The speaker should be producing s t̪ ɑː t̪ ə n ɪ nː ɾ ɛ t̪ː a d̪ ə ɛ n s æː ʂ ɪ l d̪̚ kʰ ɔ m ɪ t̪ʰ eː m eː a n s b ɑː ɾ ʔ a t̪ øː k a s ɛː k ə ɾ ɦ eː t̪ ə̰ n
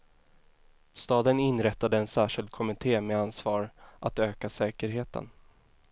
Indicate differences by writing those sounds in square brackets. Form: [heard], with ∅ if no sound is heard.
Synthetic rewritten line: s t̪ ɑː [d̪] ə n ɪ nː ɾ ɛ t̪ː a d̪ ə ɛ n s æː ʂ ɪ l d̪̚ kʰ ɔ m ɪ t̪ʰ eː m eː a n s [v] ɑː ɾ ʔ a t̪ øː k a s ɛː k ə ɾ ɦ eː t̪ ə̰ n